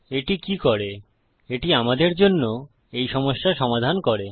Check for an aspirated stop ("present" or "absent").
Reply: absent